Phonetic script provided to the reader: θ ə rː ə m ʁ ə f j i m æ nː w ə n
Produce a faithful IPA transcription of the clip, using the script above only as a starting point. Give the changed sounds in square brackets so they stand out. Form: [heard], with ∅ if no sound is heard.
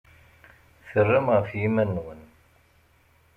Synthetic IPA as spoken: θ ə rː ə m ʁ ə f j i m æ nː w ə n